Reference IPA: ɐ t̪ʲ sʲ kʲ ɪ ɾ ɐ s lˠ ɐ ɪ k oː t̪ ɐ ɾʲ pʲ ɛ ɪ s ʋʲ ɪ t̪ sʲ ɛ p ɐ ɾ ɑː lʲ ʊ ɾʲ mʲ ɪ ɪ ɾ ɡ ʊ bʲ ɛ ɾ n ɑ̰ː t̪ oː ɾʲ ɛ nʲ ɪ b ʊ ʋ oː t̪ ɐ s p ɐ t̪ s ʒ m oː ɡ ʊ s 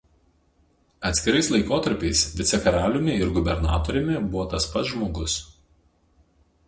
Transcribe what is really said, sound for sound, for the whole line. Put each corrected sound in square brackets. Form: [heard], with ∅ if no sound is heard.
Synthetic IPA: ɐ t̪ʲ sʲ kʲ ɪ ɾ ɐ s lˠ ɐ ɪ k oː t̪ ɐ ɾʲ pʲ ɛ ɪ s ʋʲ ɪ t̪ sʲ ɛ [k] ɐ ɾ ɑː lʲ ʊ [∅] mʲ ɪ ɪ ɾ ɡ ʊ bʲ ɛ ɾ n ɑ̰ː t̪ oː ɾʲ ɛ [mʲ] ɪ b ʊ ʋ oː t̪ ɐ s p ɐ t̪ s ʒ m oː ɡ ʊ s